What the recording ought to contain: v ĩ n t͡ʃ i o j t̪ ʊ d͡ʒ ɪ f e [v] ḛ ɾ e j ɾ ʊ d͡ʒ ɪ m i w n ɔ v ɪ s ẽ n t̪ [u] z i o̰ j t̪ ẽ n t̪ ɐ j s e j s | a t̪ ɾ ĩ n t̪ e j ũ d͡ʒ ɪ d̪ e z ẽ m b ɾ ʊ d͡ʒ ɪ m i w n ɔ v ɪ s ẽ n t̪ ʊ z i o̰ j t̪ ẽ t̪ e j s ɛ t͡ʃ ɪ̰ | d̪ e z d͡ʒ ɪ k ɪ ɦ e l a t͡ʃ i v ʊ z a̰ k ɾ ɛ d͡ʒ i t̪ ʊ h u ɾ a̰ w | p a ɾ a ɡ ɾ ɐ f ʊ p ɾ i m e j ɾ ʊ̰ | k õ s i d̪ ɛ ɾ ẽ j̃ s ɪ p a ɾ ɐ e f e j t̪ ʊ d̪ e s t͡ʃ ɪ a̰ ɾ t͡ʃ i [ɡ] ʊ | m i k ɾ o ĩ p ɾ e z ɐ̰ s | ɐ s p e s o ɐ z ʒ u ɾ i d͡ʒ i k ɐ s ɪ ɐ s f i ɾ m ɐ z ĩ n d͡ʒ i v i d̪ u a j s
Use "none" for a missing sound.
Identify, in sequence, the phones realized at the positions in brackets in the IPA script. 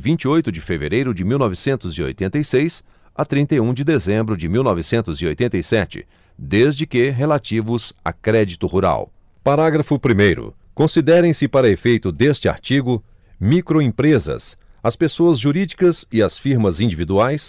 v, ʊ, ɡ

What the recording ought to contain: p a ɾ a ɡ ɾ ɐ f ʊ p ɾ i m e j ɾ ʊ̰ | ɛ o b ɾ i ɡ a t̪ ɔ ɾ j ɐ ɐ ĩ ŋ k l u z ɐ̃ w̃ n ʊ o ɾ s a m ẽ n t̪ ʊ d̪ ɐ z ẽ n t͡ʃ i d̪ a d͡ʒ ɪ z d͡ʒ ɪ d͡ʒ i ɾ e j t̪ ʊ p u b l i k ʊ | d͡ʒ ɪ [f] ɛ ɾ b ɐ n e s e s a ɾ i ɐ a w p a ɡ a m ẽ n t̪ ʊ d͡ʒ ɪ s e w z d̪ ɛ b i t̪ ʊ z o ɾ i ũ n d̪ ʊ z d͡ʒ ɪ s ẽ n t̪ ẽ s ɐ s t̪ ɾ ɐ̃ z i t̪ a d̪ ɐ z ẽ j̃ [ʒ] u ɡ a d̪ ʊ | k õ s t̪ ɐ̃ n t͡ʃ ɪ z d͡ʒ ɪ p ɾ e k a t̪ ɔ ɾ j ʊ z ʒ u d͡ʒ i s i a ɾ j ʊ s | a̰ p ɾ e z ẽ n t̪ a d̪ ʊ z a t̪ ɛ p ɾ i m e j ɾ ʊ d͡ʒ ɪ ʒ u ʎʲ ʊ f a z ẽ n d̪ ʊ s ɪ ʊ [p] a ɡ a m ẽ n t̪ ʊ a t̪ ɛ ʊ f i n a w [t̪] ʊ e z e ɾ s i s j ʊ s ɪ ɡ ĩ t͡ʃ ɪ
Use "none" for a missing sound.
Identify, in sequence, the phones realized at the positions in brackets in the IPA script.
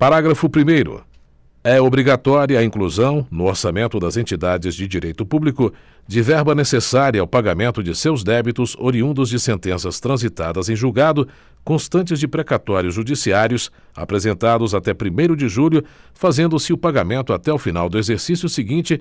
v, ʒ, p, d̪

